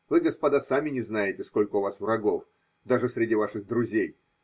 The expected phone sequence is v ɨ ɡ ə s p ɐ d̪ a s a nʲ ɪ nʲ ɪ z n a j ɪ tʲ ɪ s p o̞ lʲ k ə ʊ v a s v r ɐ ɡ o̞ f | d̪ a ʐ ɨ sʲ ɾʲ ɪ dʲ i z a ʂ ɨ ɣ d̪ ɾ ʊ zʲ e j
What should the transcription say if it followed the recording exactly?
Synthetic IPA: v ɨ ɡ ə s p ɐ d̪ a s a mʲ ɪ nʲ ɪ z n a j ɪ tʲ ɪ s k o̞ lʲ k ə ʊ v a s v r ɐ ɡ o̞ f | d̪ a ʐ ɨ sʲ ɾʲ ɪ dʲ i v a ʂ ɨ ɣ d̪ ɾ ʊ zʲ e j